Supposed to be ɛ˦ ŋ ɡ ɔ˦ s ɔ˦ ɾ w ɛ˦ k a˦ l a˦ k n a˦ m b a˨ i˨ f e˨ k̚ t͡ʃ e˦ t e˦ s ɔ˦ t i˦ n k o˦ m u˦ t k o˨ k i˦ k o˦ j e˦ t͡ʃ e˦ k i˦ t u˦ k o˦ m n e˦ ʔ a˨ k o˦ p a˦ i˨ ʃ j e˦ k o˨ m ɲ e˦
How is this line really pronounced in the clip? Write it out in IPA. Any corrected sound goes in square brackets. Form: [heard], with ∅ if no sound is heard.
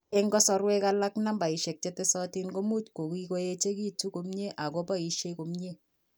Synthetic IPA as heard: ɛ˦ ŋ ɡ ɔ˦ s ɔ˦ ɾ w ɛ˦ k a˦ l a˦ k n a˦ m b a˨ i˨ [ʃ] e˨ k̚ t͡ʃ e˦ t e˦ s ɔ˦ t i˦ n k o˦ m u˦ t k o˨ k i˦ k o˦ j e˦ t͡ʃ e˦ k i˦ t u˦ k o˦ m [ɲ] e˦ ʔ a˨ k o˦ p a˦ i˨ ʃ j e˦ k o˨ m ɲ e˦